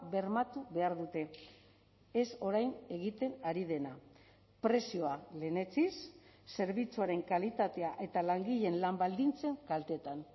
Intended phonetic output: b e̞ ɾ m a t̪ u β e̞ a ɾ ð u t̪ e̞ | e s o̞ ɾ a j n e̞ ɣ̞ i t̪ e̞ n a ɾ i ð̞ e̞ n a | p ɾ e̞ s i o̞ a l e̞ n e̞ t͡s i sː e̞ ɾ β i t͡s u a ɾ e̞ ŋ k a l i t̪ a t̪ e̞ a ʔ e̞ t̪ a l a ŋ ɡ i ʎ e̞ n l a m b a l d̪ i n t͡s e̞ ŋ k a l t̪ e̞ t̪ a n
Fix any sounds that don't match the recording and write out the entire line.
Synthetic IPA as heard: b e̞ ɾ m a t̪ u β e̞ a ɾ ð u t̪ e̞ | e s o̞ ɾ a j n e̞ ɣ̞ i t̪ e̞ n a ɾ i ð̞ e̞ n a | p ɾ e̞ s i o̞ a l e̞ n e̞ t͡s i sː e̞ ɾ β i t͡s u a ɾ e̞ ŋ k a l i t̪ a t̪ e̞ a ʔ e̞ t̪ a l a ŋ ɡ i ʎ e̞ n l a m b a l d̪ i n t͡s e̞ ŋ k a l t̪ e̞ t̪ a n